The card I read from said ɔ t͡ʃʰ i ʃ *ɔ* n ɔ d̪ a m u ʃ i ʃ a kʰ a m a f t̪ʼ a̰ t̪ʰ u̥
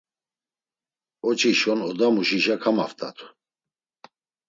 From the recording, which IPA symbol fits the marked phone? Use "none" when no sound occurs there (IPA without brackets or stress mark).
ɔ